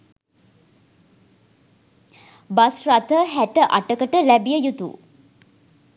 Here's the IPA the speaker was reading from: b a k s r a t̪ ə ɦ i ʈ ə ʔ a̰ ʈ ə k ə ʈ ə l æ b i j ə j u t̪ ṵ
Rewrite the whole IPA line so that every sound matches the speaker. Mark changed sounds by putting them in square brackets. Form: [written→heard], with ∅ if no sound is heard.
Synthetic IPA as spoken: b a [k→∅] s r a t̪ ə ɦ [i→æ] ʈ ə ʔ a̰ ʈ ə k ə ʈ ə l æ b i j ə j u t̪ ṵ